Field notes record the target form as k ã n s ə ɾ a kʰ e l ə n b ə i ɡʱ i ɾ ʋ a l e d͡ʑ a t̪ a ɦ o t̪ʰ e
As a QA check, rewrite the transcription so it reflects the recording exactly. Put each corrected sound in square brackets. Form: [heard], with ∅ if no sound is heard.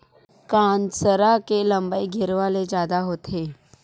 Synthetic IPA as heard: k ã n s ə ɾ a [k] e l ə [m] b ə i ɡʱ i ɾ ʋ a l e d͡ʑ a [d̪] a ɦ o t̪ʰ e